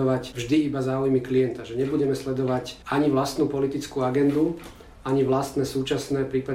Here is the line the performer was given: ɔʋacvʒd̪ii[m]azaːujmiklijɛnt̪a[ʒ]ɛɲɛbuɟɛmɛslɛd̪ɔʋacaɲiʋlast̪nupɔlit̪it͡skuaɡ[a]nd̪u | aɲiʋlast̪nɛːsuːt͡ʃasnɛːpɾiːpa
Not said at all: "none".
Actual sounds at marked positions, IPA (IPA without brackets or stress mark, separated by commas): b, ʒ, ɛ